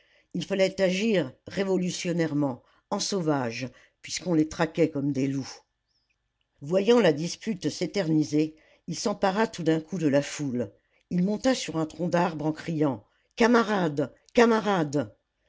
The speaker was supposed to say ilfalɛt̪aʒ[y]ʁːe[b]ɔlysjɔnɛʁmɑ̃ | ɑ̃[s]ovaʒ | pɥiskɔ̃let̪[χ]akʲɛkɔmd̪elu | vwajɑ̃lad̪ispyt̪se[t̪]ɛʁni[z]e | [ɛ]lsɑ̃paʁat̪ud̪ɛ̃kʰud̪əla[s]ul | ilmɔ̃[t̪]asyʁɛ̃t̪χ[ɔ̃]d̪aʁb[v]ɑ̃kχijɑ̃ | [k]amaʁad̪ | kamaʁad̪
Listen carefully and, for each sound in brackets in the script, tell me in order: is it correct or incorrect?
incorrect: i, incorrect: v, correct, correct, correct, correct, incorrect: i, incorrect: f, correct, correct, incorrect: ʁ, correct

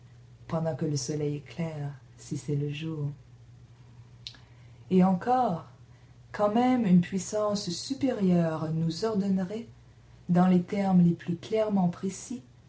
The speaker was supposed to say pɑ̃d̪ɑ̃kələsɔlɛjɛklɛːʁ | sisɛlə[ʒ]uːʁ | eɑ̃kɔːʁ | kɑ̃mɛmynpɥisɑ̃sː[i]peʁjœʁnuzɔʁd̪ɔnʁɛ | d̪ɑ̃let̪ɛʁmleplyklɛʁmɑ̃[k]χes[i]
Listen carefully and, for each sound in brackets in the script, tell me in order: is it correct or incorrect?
correct, incorrect: y, incorrect: p, correct

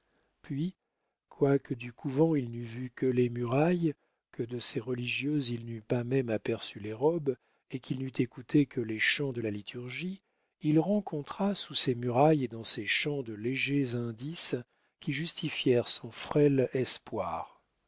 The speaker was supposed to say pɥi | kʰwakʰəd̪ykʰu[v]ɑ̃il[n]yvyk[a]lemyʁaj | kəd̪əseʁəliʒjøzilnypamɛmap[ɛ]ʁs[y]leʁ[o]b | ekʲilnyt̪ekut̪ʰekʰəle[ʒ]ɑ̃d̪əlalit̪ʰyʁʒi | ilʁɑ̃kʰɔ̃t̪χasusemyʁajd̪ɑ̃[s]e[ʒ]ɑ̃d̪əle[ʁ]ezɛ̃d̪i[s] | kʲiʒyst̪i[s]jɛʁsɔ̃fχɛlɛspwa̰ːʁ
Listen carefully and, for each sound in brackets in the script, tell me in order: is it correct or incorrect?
correct, correct, incorrect: ə, correct, correct, incorrect: ɔ, incorrect: ʃ, correct, incorrect: ʃ, incorrect: ʒ, correct, incorrect: f

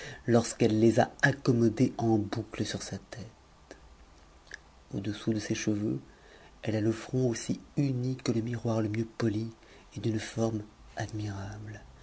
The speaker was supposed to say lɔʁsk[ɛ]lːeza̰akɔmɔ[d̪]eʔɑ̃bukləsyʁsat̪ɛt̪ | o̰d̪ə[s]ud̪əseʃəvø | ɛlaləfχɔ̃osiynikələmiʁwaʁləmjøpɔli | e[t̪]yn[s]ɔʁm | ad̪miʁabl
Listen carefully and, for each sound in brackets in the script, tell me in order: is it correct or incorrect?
correct, correct, correct, incorrect: d̪, incorrect: f

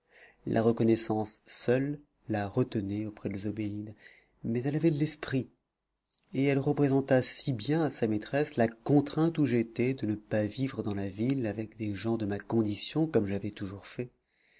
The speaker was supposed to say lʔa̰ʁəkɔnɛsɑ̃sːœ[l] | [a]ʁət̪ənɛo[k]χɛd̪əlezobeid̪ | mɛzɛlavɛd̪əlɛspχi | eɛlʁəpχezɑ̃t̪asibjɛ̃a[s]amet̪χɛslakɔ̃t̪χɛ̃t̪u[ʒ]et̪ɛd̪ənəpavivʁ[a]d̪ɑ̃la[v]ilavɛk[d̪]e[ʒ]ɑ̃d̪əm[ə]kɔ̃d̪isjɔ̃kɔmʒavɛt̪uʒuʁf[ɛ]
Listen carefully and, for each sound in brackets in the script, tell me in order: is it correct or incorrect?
incorrect: lː, correct, incorrect: p, correct, correct, incorrect: ə, correct, correct, correct, incorrect: a, correct

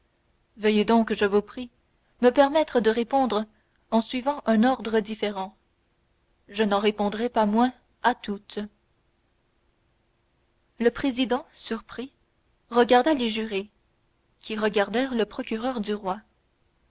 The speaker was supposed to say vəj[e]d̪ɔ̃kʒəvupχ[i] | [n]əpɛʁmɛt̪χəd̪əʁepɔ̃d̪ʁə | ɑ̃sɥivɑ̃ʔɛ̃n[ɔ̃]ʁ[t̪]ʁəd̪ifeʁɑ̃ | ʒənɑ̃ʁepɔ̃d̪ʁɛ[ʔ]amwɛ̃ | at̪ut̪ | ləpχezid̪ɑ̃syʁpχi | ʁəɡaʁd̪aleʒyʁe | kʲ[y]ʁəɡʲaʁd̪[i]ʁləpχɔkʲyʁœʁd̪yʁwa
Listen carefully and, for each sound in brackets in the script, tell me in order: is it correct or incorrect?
correct, correct, incorrect: m, incorrect: ɔ, incorrect: d̪, incorrect: p, incorrect: i, incorrect: ɛ

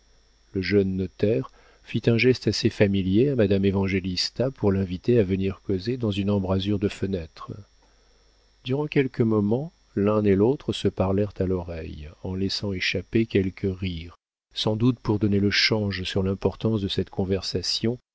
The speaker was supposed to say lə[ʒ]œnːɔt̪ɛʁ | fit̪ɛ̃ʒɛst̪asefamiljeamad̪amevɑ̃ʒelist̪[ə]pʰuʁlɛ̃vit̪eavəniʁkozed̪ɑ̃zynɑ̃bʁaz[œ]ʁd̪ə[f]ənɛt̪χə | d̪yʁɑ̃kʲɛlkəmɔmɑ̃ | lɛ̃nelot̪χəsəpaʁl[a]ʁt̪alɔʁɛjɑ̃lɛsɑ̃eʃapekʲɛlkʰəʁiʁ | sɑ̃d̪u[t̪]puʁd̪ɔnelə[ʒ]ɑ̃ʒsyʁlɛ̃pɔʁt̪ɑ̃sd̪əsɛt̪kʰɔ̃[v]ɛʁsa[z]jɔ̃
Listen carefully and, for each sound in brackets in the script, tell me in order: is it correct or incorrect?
correct, incorrect: a, incorrect: y, correct, incorrect: ɛ, correct, incorrect: ʃ, correct, incorrect: s

